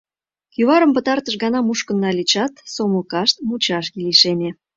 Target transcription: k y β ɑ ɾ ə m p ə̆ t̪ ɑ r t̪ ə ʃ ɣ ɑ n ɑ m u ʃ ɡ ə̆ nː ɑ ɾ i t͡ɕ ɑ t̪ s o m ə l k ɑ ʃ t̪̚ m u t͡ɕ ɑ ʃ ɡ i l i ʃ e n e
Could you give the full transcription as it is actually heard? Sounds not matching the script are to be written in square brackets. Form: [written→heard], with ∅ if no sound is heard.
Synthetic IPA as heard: k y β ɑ ɾ ə m p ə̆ t̪ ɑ r t̪ ə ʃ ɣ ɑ n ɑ m u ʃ [ɡ→k] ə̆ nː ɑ [ɾ→l] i t͡ɕ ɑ t̪ s o m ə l k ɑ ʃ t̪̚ m u t͡ɕ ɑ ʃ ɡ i l i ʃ e n e